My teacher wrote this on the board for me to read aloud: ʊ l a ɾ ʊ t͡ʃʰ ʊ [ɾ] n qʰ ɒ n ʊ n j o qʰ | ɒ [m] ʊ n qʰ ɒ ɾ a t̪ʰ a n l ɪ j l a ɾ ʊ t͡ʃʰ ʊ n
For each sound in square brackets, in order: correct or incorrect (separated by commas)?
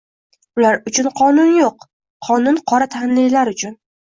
incorrect, incorrect